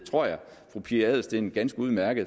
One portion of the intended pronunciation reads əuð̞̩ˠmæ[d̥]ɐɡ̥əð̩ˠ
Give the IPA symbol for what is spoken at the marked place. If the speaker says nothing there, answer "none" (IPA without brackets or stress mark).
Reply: none